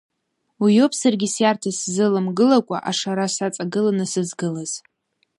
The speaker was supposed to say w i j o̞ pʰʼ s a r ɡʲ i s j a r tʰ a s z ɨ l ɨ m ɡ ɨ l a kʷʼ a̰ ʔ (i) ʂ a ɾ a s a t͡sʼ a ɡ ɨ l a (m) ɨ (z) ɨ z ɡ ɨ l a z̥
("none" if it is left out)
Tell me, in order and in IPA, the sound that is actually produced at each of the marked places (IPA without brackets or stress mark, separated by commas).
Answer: a, n, s